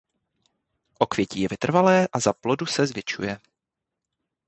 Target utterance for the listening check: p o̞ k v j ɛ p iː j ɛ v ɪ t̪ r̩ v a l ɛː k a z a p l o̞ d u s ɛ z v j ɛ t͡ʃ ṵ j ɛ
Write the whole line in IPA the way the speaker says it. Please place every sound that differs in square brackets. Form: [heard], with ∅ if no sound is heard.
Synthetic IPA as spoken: [ʔ] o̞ k v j ɛ [c] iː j ɛ v ɪ t̪ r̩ v a l ɛː [ʔ] a z a p l o̞ d u s ɛ z v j ɛ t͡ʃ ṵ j ɛ